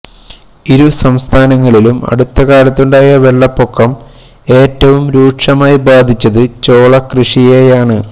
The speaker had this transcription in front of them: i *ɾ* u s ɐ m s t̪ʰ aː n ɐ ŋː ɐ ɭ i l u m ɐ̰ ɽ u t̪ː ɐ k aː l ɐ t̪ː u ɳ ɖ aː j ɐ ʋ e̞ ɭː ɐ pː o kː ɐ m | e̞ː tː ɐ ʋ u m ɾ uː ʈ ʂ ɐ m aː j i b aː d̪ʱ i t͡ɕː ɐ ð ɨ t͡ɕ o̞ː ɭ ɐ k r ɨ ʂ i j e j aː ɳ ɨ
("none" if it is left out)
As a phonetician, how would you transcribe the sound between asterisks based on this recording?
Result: ɾ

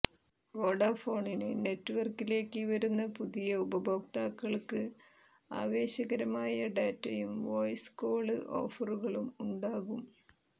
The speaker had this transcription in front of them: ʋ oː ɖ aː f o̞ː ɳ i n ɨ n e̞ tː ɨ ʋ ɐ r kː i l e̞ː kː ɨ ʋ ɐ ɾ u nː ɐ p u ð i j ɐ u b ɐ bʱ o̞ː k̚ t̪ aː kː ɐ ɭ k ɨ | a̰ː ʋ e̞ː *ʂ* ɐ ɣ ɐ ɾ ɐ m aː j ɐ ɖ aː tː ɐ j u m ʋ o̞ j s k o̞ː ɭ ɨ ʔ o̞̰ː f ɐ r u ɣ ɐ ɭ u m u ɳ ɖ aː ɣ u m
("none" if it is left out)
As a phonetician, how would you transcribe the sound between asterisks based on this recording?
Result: ɕ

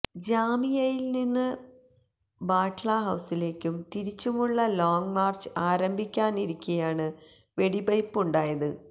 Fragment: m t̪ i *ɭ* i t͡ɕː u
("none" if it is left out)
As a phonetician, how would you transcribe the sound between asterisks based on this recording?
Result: ɾ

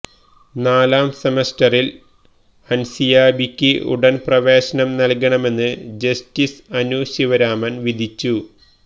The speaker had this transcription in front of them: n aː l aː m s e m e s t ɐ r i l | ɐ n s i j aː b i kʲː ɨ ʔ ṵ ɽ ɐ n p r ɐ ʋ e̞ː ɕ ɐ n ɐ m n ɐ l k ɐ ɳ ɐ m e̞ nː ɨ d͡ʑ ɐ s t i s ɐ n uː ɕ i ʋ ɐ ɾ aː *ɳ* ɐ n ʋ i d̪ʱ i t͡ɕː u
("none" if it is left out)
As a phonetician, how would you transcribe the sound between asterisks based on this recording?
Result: m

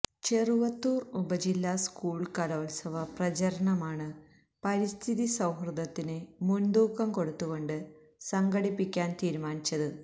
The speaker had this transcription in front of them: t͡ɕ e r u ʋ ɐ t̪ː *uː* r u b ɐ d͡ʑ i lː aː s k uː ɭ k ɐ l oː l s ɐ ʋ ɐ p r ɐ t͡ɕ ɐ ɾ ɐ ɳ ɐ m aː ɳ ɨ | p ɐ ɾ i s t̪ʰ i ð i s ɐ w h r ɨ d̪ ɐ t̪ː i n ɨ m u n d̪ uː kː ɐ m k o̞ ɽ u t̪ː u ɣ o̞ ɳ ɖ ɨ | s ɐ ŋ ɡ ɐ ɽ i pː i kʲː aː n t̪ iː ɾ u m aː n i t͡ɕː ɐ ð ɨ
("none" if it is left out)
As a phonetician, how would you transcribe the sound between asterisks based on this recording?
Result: uː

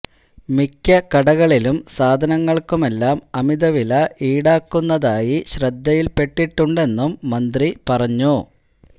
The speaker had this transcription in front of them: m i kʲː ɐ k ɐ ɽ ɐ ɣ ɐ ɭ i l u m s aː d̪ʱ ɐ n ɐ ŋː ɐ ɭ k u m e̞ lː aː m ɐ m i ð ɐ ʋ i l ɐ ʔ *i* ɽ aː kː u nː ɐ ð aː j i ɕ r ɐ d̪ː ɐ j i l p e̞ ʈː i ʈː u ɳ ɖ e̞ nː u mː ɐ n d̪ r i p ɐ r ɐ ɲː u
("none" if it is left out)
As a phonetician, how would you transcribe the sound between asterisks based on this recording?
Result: iː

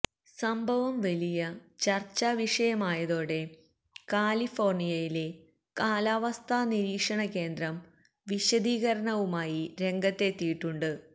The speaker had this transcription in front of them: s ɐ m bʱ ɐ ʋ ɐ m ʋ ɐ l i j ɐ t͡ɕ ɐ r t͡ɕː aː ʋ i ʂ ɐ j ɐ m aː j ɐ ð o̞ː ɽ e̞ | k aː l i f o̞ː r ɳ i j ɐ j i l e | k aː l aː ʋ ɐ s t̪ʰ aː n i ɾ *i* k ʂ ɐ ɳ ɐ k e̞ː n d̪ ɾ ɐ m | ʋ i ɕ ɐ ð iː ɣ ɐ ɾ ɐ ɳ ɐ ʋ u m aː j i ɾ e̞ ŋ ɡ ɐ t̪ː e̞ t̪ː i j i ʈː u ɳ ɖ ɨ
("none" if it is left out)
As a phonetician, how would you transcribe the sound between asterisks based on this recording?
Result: iː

